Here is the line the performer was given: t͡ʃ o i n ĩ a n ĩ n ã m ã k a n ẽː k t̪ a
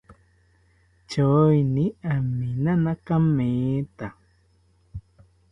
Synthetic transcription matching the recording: t͡ʃ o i n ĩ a m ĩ n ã n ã k a m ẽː t̪ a